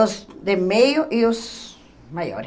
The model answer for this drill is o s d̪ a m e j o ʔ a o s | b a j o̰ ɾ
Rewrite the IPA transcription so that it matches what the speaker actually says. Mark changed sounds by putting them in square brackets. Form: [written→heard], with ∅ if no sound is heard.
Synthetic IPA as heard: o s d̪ [a→e] m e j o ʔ [a→i] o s | [b→m] a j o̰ ɾ